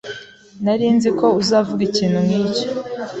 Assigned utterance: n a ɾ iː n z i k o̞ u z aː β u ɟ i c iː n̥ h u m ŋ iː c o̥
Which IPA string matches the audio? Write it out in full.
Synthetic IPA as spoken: n a ɾ iː n z i k o̞ u z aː v u ɡ i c iː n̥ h u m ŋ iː c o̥

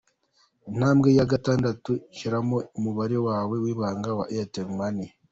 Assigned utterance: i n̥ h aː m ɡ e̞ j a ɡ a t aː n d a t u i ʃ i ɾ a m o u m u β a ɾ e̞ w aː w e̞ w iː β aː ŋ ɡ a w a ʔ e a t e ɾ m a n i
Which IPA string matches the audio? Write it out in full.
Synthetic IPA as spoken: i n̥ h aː m ɡ e̞ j a ɡ a t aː n d a t u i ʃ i ɾ a m o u m u β a ɾ e̞ w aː w e̞ w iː β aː ŋ ɡ a w a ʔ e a t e ɾ m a n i

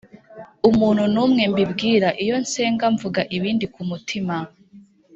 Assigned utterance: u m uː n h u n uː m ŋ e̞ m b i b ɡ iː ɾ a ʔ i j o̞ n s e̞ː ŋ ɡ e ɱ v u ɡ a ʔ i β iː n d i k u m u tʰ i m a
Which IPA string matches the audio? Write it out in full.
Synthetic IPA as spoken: u m uː n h u n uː m ŋ e̞ m b i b ɡ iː ɾ a ʔ i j o̞ n s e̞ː ŋ ɡ a ɱ v u ɡ a ʔ i β iː n d i k u m u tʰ i m a

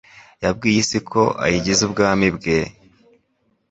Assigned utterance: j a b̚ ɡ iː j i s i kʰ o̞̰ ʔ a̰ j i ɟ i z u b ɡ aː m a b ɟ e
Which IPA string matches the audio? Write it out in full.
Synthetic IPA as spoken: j a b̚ ɡ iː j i s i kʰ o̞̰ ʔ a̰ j i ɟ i z u b ɡ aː m i b ɡ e

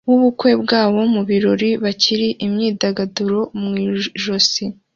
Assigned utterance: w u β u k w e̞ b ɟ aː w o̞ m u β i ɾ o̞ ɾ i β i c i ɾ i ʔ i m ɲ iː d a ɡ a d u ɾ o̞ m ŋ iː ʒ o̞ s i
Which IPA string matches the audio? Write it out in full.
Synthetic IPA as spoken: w u β u k w e̞ b ɡ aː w o̞ m u β i ɾ o̞ ɾ i β a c i ɾ i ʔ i m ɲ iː d a ɡ a d u ɾ o̞ m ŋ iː ʒ o̞ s i

